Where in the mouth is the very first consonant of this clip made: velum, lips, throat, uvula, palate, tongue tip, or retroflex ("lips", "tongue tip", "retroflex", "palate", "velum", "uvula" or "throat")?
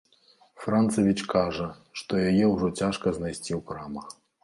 lips